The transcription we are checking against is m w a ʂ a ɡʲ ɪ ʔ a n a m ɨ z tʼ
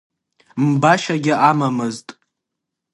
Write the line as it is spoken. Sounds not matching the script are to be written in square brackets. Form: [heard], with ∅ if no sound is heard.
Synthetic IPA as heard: m [b] a [ʃ] a ɡʲ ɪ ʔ a [m] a m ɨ z tʼ